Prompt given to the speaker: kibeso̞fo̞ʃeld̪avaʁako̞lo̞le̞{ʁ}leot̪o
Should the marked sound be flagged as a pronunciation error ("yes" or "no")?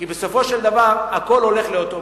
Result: yes